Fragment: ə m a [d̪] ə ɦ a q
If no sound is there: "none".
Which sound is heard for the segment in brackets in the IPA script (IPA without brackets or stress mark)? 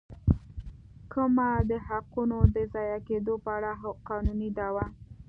d̪